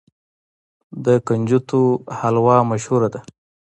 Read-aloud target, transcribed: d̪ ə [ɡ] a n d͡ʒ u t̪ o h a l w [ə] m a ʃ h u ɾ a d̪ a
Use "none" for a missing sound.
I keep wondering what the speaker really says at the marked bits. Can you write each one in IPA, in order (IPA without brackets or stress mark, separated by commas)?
k, ɑ